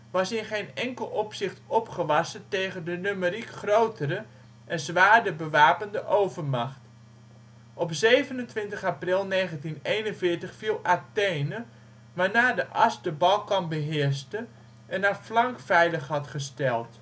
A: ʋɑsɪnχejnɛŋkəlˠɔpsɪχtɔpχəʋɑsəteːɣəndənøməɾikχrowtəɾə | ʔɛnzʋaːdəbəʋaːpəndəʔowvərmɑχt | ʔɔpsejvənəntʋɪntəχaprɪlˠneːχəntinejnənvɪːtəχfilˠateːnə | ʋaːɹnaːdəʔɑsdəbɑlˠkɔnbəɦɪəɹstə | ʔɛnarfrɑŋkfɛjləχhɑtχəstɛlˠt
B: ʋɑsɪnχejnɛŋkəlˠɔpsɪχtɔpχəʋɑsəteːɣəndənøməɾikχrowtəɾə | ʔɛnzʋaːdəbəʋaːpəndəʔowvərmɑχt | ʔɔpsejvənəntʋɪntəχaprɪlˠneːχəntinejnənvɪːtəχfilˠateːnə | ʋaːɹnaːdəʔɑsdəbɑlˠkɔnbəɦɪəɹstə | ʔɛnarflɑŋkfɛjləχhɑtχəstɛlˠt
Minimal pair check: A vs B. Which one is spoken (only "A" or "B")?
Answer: B